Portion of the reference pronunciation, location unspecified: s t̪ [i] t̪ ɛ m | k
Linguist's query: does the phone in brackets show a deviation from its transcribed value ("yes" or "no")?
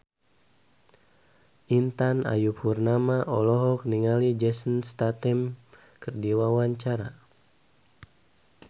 yes